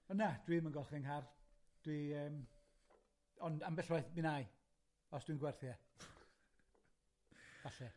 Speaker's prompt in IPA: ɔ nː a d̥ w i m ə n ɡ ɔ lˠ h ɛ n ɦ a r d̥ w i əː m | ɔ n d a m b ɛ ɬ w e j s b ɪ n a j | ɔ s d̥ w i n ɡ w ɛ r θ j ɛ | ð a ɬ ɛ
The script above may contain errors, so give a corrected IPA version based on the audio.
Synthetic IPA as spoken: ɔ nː a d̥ w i m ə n ɡ ɔ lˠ χ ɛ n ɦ a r d̥ w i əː m | ɔ n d a m b ɛ ɬ w a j θ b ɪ n a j | ɔ s d̥ w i n ɡ w ɛ r θ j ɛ | v a ɬ ɛ